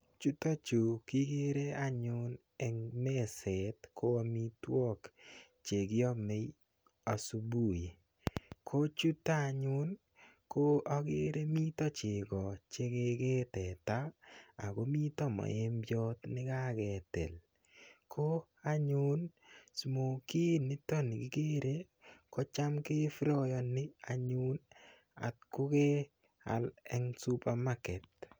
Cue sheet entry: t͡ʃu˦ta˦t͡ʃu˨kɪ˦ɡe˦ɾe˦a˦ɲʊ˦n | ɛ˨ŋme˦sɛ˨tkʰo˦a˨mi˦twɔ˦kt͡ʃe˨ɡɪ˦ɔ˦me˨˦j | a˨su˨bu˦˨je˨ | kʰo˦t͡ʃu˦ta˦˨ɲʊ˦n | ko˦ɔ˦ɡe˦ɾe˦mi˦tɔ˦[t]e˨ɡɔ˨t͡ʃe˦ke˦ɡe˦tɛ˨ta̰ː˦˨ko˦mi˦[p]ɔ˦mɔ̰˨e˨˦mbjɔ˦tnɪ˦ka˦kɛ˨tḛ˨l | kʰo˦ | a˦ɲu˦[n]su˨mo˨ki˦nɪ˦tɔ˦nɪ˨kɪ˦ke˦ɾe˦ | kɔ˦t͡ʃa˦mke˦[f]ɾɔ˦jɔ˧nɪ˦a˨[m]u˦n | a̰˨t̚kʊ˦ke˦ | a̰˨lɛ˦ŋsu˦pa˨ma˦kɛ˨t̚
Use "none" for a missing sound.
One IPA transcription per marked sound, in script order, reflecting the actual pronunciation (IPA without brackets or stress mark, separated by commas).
t͡ʃ, t, n, f, ɲ